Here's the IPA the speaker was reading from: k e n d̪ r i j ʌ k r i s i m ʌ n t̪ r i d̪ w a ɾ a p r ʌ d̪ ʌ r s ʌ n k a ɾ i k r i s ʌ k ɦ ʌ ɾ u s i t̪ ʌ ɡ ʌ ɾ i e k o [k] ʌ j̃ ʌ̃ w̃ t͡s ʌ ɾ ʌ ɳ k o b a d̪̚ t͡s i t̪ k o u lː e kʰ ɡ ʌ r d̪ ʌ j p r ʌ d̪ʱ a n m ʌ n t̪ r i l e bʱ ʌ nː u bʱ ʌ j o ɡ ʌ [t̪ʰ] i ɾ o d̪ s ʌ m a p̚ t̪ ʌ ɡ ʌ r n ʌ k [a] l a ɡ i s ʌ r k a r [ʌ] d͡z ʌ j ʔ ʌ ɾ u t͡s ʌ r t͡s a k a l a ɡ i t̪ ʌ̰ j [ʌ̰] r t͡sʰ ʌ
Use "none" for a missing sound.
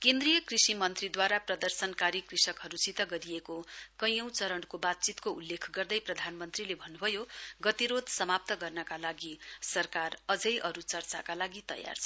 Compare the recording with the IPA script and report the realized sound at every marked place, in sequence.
k, t̪, a, ʌ, a̰

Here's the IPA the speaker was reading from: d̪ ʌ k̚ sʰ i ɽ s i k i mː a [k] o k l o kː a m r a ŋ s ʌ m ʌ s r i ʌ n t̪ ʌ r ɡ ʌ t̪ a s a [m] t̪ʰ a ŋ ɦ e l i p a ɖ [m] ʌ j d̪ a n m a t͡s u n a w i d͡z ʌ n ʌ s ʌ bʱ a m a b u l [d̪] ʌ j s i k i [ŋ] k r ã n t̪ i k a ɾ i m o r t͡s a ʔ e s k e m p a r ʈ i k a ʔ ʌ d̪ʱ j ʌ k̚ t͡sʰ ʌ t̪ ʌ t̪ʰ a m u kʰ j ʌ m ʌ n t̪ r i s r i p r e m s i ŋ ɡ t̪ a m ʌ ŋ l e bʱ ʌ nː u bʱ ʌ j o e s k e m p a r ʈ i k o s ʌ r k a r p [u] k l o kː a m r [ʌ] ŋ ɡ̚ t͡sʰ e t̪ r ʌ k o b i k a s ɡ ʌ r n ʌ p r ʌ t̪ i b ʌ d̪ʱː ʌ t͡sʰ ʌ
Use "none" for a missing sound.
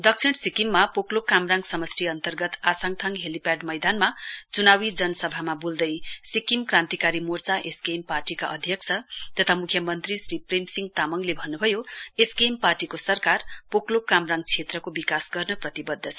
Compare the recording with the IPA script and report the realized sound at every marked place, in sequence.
p, ŋ, m, d̪, m, o, a

